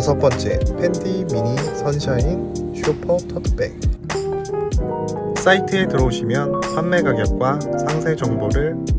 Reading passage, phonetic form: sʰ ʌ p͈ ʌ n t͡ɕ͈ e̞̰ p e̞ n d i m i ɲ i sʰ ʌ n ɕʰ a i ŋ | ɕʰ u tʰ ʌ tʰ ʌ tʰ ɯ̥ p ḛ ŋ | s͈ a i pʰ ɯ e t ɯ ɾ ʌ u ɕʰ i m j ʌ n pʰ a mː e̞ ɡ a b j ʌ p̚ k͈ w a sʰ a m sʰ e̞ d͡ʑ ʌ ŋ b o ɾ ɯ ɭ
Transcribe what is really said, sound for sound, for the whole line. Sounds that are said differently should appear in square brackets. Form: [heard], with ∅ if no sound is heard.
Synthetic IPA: sʰ ʌ p͈ ʌ n t͡ɕ͈ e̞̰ [pʰ] e̞ n d i m i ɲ i sʰ ʌ n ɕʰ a i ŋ | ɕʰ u [pʰ] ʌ tʰ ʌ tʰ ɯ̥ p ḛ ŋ | s͈ a i [tʰ] ɯ e t ɯ ɾ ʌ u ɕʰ i m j ʌ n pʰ a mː e̞ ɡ a [ɡ] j ʌ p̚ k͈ w a sʰ a [ŋ] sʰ e̞ d͡ʑ ʌ ŋ b o ɾ ɯ ɭ